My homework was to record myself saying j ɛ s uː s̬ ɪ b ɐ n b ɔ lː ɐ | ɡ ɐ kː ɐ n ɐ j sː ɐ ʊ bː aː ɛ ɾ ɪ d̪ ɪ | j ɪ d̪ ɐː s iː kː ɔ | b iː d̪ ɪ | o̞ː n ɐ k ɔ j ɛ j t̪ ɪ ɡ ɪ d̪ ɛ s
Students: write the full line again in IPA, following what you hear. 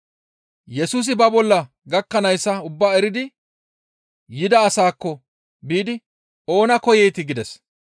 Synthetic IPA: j ɛ s uː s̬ ɪ b ɐ b ɔ lː ɐ | ɡ ɐ kː ɐ n ɐ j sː ɐ ʊ bː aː ɛ ɾ ɪ d̪ ɪ | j ɪ d̪ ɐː s aː kː ɔ | b iː d̪ ɪ | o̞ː n ɐ k ɔ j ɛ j t̪ ɪ ɡ ɪ d̪ ɛ s

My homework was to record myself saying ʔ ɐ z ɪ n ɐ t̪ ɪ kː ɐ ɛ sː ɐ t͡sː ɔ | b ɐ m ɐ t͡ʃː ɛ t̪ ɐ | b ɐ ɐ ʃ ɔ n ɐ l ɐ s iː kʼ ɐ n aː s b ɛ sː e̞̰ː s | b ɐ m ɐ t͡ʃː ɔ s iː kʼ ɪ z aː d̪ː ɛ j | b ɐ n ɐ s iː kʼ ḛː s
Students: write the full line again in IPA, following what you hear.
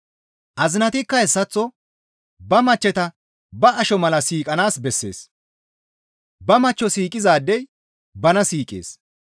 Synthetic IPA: ʔ ɐ z ɪ n ɐ t̪ ɪ kː ɐ ɛ sː ɐ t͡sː ɔ | b ɐ m ɐ t͡ʃː ɛ t̪ ɐ | b ɐ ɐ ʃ ɔ m ɐ l ɐ s iː kʼ ɐ n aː s b ɛ sː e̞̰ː s | b ɐ m ɐ t͡ʃː ɔ s iː kʼ ɪ z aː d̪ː ɛ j | b ɐ n ɐ s iː kʼ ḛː s

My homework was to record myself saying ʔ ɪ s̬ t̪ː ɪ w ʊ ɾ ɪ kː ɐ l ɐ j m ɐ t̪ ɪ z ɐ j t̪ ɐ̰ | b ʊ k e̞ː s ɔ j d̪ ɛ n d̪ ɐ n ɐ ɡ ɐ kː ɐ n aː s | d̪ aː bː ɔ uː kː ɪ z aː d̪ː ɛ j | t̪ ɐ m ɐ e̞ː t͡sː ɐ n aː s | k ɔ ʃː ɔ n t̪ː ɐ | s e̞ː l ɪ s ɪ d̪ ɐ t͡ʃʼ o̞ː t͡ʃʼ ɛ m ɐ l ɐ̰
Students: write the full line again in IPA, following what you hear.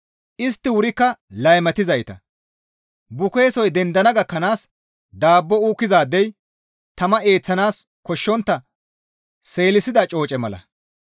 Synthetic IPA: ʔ ɪ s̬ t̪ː ɪ w ʊ ɾ ɪ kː ɐ l ɐ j m ɐ t̪ ɪ z ɐ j t̪ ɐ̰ | b ʊ k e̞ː s ɔ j d̪ ɛ n d̪ ɐ n ɐ ɡ ɐ kː ɐ n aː s | d̪ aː bː ɔ uː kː ɪ z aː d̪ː ɛ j | t̪ ɐ m ɐ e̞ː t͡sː ɐ n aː s | k ɔ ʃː ɔ n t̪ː ɐ | s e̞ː l ɪ s ɪ d̪ ɐ t͡ʃʼ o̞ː t͡ʃʼ ɛ m ɐ l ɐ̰

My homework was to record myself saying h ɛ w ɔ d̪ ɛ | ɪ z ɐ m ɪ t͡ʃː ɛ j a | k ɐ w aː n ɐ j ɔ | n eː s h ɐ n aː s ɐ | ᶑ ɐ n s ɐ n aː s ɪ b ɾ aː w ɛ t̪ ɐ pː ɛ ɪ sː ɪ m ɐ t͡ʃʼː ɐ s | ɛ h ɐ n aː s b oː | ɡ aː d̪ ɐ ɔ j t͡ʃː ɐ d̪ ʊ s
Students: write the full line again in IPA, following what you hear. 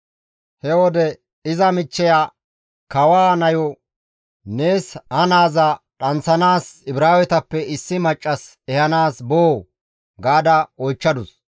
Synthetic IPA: h ɛ w ɔ d̪ ɛ | ɪ z ɐ m ɪ t͡ʃː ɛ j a | k ɐ w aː n ɐ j ɔ | n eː s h ɐ n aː z ɐ | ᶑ ɐ n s ɐ n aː s ɪ b ɾ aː w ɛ t̪ ɐ pː ɛ ɪ sː ɪ m ɐ t͡ʃʼː ɐ s | ɛ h ɐ n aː s b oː | ɡ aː d̪ ɐ ɔ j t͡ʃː ɐ d̪ ʊ s

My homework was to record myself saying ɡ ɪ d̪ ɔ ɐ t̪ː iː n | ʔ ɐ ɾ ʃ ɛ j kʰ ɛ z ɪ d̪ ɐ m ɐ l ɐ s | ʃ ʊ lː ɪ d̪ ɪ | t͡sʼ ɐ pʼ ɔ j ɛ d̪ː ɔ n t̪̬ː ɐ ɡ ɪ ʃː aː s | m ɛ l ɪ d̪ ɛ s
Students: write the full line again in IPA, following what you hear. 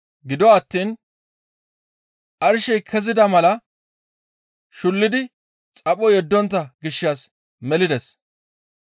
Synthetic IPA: ɡ ɪ d̪ ɔ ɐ t̪ː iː n | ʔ ɐ ɾ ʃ ɛ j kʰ ɛ z ɪ d̪ ɐ m ɐ l ɐ | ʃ ʊ lː ɪ d̪ ɪ | t͡sʼ ɐ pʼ ɔ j ɛ d̪ː ɔ n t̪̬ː ɐ ɡ ɪ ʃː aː s | m ɛ l ɪ d̪ ɛ s

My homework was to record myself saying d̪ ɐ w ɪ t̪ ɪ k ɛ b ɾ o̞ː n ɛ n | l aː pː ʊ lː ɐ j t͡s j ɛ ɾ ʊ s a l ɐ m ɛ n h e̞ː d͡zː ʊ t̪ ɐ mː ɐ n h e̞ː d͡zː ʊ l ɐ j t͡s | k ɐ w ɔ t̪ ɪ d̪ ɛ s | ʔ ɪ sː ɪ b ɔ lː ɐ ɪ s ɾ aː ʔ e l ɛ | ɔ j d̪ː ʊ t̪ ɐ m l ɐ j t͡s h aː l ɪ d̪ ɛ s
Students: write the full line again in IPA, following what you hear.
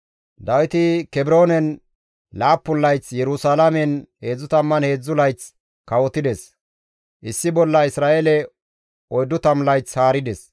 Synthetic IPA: d̪ ɐ w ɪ t̪ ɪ k ɛ b ɾ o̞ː n ɛ n | l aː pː ʊ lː ɐ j t͡s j ɛ ɾ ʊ s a l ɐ m ɛ n h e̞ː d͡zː ʊ t̪ ɐ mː ɐ n h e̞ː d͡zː ʊ l ɐ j t͡s | k ɐ w ɔ t̪ ɪ d̪ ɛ s | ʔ ɪ sː ɪ b ɔ lː ɐ ɪ s ɾ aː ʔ e l ɛ | ɔ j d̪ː ʊ t̪ ɐ m l ɐ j t͡s h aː ɾ ɪ d̪ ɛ s

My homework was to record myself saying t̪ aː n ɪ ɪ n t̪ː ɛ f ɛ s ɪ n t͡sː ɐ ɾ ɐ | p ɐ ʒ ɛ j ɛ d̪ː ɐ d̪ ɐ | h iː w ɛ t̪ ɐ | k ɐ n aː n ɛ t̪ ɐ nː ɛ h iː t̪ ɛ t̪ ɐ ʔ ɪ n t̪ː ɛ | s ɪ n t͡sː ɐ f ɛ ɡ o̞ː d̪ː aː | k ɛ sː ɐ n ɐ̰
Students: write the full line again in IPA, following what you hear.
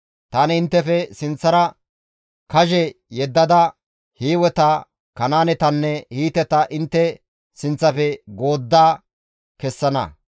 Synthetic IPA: t̪ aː n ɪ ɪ n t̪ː ɛ f ɛ s ɪ n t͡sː ɐ ɾ ɐ | k ɐ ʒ ɛ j ɛ d̪ː ɐ d̪ ɐ | h iː w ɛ t̪ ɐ | k ɐ n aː n ɛ t̪ ɐ nː ɛ h iː t̪ ɛ t̪ ɐ ʔ ɪ n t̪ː ɛ | s ɪ n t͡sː ɐ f ɛ ɡ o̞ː d̪ː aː | k ɛ sː ɐ n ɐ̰

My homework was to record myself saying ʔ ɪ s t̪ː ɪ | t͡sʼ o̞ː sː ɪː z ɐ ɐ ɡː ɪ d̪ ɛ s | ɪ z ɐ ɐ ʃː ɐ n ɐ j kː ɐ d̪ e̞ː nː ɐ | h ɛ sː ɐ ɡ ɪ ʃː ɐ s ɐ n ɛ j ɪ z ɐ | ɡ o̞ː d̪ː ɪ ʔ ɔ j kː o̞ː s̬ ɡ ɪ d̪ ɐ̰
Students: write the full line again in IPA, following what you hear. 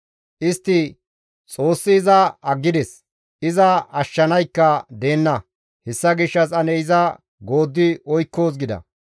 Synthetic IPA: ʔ ɪ s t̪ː ɪ | t͡sʼ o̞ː sː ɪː z ɐ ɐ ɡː ɪ d̪ ɛ s | ɪ z ɐ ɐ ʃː ɐ n ɐ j kː ɐ d̪ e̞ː nː ɐ | h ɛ sː ɐ ɡ ɪ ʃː ɐ s ɐ n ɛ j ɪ z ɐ | ɡ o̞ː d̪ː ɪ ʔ ɔ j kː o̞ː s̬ ɡ ɪ d̪ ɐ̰

